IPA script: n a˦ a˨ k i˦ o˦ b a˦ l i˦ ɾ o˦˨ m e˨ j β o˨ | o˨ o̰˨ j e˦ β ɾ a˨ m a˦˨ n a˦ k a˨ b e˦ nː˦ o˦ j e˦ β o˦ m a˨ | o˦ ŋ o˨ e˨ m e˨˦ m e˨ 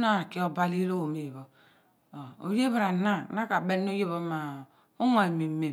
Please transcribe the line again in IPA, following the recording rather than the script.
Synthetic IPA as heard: n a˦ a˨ k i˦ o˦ b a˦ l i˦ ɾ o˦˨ m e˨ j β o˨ | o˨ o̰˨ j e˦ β ɾ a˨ n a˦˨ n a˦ k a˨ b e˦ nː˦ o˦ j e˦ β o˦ m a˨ | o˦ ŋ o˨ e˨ m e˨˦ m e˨